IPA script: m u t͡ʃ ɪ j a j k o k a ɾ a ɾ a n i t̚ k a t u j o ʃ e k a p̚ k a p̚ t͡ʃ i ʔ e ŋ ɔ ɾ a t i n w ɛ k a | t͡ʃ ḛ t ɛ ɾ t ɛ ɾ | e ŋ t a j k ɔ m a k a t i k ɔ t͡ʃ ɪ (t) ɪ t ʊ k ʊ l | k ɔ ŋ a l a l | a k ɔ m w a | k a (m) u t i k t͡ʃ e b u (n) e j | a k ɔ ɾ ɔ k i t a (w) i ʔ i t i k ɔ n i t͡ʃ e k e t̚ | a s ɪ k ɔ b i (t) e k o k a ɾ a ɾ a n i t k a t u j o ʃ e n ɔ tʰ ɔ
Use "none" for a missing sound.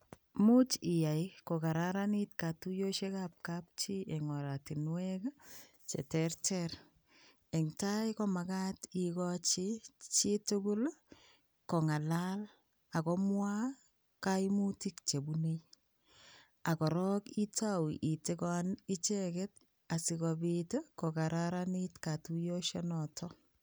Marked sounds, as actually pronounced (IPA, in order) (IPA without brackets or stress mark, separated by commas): t͡ʃ, m, n, w, t